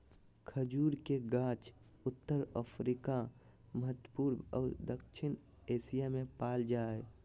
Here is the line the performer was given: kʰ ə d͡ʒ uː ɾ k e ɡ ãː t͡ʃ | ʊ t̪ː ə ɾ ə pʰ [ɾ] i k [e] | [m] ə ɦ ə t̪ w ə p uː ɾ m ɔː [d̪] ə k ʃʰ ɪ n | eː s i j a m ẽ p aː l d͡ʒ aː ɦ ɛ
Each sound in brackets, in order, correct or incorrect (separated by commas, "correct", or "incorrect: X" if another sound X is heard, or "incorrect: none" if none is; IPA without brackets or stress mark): correct, incorrect: a, correct, correct